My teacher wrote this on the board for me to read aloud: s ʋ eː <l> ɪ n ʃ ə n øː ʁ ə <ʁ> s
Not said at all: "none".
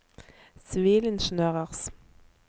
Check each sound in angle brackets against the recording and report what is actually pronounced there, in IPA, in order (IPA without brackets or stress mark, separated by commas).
l, ʁ